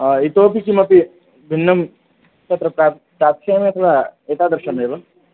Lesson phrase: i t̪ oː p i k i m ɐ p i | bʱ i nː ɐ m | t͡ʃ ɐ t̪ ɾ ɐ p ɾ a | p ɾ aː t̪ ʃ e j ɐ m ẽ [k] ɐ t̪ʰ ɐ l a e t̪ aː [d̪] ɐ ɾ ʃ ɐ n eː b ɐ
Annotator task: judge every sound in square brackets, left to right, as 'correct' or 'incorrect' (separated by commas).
incorrect, correct